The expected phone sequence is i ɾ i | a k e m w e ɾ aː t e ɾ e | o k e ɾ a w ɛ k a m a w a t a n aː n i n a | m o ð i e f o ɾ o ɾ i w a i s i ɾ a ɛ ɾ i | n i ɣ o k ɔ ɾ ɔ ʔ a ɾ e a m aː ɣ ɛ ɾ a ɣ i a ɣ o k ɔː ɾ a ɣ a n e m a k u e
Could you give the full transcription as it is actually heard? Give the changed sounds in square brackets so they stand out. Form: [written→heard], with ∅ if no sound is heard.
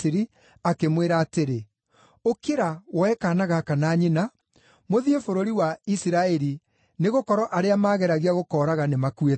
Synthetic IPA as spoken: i ɾ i | a k e m w e ɾ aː t e ɾ e | o k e ɾ a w ɛ k a [m→n] a [w→ɣ] a [t→k] a n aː [n→ɲ] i n a | m o ð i e f o ɾ o ɾ i w a i s i ɾ a ɛ ɾ i | n [i→e] ɣ o k ɔ ɾ ɔ ʔ a ɾ e a m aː ɣ ɛ ɾ a ɣ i a ɣ o k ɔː ɾ a ɣ a n e m a k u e

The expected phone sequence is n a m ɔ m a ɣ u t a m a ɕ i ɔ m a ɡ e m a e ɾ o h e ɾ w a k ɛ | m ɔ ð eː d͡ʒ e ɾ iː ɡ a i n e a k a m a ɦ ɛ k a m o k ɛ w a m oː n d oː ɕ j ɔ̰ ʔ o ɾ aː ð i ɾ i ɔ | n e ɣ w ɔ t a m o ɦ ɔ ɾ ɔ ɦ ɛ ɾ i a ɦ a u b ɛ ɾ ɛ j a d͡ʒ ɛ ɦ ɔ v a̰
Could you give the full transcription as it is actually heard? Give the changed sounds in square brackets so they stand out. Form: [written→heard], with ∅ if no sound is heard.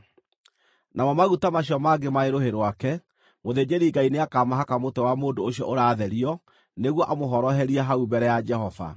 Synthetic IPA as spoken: n a m ɔ m a ɣ u t a m a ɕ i ɔ m a ɡ e m a e ɾ o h e ɾ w a k ɛ | m [ɔ→o] ð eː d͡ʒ e ɾ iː ɡ a i n e a k a m a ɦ [ɛ→a] k a m o [k→t] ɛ w a m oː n d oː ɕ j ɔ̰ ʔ o ɾ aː ð [i→ɛ] ɾ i ɔ | n e ɣ w ɔ [t→ʔ] a m o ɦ ɔ ɾ ɔ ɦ ɛ ɾ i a ɦ a u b ɛ ɾ ɛ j a d͡ʒ ɛ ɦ ɔ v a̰

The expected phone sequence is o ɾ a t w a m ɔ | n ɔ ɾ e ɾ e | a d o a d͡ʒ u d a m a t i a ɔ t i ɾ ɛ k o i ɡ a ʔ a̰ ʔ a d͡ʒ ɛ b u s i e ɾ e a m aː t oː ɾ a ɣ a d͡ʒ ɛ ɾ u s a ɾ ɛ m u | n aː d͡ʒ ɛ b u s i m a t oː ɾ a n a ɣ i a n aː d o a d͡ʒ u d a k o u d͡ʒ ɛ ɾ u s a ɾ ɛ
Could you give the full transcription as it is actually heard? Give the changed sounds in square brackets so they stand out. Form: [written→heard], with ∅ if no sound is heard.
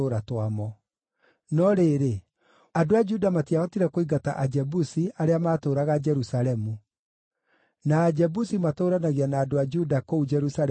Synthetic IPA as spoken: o ɾ a t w a m ɔ | n ɔ ɾ e ɾ e | a d o a d͡ʒ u d a m a t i a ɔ t i ɾ ɛ k o i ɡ a [ʔ→t] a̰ ʔ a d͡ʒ ɛ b u s i [e→a] ɾ e a m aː t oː ɾ a ɣ a d͡ʒ ɛ ɾ u s a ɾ ɛ m u | n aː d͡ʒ ɛ b u s i m a t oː ɾ a n a ɣ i a n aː d o a d͡ʒ u d a k o u d͡ʒ ɛ ɾ u s a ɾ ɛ

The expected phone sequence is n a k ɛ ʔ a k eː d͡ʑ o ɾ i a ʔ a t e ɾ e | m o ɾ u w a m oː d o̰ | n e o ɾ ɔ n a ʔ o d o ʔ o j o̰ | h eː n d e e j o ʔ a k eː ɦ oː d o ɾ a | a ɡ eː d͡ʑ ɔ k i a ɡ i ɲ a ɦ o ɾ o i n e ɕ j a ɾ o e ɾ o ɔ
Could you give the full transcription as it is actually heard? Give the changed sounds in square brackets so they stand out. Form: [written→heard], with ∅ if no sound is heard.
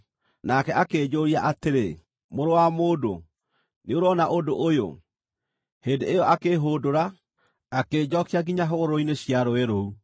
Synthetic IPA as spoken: n a k ɛ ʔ a k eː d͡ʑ o ɾ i a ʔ a t e ɾ e | m o ɾ [u→o] w a m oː d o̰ | n e o ɾ ɔ n a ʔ o d o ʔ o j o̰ | h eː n d e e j [o→ɔ] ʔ a k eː ɦ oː d o ɾ a | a [ɡ→k] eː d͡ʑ ɔ k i a ɡ i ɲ a ɦ o ɾ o i n e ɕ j a ɾ o e ɾ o [ɔ→u]

